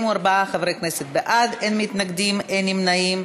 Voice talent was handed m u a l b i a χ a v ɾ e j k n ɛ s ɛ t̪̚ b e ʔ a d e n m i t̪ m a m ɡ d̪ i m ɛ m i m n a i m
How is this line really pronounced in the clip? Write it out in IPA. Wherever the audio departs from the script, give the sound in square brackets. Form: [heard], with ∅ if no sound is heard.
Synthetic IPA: m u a [ɾ] b [a] a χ a v ɾ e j k n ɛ s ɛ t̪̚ b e ʔ a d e n m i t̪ [n] a [∅] ɡ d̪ i m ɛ [n] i m n a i m